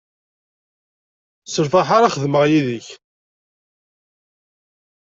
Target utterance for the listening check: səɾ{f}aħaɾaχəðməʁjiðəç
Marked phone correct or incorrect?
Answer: correct